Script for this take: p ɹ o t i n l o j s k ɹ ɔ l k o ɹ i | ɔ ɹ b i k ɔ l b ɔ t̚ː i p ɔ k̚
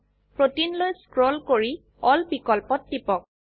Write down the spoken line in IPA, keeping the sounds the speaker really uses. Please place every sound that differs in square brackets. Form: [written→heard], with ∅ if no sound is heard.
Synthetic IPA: p ɹ o t i n l o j s k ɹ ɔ l k o ɹ i | ɔ [ɹ→l] b i k ɔ l [b→p] ɔ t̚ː i p ɔ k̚